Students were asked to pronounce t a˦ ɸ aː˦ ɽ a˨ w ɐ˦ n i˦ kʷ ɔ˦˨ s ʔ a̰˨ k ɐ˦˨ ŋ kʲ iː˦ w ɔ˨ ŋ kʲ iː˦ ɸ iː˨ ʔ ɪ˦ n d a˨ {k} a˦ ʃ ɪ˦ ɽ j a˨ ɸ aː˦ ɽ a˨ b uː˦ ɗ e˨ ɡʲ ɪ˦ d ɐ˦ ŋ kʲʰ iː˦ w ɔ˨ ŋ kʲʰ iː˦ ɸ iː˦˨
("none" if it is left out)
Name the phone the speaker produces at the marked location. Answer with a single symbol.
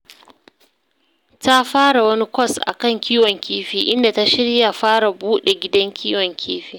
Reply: t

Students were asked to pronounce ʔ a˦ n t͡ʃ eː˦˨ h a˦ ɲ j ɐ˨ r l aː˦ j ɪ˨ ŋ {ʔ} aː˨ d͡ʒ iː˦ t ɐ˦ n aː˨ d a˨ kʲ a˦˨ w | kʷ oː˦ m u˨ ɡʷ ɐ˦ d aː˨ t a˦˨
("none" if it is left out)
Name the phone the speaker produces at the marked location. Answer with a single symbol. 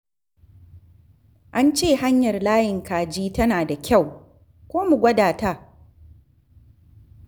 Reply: k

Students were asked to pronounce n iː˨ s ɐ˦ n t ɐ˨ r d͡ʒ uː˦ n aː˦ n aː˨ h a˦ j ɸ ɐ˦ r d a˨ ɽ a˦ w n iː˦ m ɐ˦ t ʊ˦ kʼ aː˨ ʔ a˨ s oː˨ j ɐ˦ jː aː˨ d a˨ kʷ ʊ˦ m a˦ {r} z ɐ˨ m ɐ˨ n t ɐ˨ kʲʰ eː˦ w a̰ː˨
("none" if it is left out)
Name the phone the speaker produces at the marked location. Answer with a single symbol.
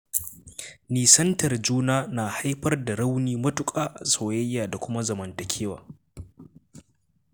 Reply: none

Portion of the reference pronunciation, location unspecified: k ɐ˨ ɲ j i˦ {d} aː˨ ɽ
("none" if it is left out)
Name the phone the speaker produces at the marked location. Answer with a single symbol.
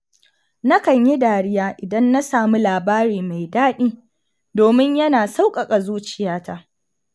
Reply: d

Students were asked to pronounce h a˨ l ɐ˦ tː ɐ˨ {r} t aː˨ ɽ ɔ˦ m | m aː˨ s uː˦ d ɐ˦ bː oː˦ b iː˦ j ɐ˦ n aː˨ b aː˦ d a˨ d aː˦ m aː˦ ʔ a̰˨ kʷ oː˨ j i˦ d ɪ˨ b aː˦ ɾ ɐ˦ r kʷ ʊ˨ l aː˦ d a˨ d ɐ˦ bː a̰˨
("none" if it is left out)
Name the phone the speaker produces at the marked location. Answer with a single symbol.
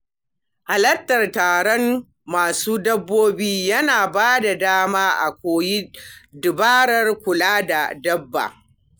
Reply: r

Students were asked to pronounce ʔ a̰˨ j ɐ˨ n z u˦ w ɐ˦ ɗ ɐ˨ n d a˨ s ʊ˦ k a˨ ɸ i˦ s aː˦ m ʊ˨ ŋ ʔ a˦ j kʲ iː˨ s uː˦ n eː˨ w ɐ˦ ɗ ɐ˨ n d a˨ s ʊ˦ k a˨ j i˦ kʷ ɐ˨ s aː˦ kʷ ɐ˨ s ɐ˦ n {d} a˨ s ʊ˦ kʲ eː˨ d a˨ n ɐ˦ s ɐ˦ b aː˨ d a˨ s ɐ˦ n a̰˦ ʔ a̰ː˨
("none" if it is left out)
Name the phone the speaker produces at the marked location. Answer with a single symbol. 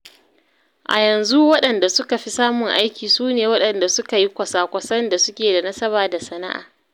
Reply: d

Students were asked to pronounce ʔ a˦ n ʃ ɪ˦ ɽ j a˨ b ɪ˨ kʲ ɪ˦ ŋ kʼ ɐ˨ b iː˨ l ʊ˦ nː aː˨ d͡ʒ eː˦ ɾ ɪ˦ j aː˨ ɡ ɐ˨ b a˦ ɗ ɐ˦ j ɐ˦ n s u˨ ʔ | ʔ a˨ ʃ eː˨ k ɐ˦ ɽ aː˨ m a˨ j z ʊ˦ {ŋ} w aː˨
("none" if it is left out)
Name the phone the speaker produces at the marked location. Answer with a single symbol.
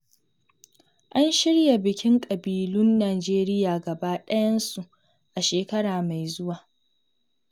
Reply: none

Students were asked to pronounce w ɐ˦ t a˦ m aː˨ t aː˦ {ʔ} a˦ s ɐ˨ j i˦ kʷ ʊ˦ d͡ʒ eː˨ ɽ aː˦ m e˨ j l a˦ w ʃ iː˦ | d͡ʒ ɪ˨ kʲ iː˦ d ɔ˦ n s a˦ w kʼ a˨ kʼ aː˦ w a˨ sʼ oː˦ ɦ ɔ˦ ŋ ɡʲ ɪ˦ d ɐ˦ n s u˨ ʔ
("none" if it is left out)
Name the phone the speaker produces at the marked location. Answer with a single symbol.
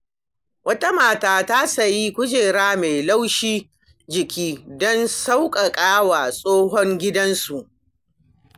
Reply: t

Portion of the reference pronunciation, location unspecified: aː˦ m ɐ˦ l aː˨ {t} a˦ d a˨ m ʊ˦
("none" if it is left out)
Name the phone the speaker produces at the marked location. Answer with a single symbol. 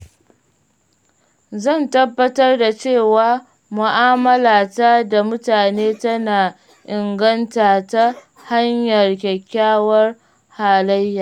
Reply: t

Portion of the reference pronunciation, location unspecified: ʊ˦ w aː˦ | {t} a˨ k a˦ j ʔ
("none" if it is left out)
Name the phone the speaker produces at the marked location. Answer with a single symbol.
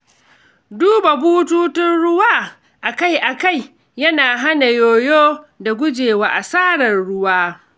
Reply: ʔ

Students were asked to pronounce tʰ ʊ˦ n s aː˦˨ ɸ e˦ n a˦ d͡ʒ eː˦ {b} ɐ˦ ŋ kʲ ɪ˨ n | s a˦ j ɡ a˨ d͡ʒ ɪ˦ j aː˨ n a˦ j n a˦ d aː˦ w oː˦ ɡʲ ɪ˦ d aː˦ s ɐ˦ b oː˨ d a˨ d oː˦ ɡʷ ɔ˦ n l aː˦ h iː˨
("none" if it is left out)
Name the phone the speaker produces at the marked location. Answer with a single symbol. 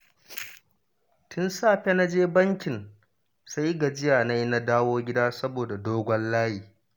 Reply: b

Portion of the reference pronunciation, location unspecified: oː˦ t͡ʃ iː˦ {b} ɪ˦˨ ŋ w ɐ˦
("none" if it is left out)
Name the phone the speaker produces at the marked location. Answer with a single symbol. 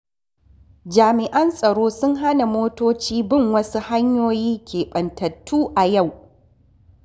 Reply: b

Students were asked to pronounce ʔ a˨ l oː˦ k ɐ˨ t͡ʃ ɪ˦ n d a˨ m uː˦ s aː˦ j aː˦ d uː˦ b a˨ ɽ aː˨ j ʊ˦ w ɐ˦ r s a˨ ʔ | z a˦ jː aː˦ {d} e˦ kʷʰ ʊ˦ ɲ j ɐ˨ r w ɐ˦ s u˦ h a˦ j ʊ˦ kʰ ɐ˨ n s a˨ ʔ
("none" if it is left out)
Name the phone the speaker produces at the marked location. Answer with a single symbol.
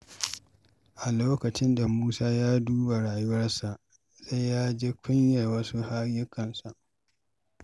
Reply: d͡ʒ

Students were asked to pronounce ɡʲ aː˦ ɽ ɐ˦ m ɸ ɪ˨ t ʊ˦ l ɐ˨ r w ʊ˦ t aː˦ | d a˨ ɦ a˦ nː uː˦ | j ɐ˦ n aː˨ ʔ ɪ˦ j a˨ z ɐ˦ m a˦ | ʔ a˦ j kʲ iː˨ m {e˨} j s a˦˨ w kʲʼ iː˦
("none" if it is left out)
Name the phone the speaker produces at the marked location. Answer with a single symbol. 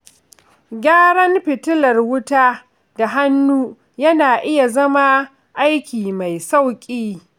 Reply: a˨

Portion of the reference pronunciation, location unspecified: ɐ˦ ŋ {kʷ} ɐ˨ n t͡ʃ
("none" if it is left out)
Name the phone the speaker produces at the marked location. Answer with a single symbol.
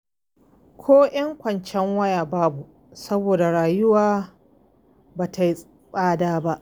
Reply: kʷ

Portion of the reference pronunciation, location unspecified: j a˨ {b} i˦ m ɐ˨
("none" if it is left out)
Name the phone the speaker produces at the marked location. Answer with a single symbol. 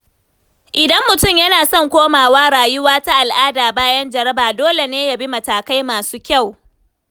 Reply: b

